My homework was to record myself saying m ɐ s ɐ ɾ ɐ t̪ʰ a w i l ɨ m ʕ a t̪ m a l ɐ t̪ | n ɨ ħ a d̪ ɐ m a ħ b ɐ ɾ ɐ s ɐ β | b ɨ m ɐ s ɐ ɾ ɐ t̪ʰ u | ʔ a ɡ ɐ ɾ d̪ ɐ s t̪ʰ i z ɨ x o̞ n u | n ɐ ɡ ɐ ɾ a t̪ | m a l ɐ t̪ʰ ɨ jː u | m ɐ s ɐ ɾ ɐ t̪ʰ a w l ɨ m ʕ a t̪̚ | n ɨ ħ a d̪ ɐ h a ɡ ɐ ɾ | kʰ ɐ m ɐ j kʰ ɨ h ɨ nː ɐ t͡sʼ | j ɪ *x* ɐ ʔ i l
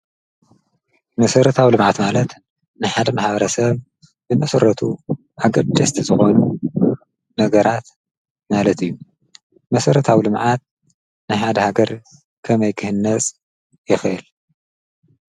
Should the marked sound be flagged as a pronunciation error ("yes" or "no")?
no